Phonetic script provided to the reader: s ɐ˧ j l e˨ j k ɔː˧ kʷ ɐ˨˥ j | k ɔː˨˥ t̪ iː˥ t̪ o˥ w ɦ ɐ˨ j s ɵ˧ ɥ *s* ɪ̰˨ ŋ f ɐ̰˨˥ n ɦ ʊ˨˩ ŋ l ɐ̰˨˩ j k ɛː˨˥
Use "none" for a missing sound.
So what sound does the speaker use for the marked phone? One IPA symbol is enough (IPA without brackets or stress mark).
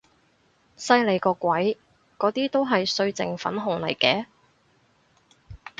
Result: t͡s